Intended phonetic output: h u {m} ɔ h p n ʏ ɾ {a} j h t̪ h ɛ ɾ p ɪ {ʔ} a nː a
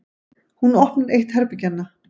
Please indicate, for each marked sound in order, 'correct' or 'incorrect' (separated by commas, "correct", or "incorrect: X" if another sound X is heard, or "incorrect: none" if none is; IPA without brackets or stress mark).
incorrect: n, incorrect: e, incorrect: c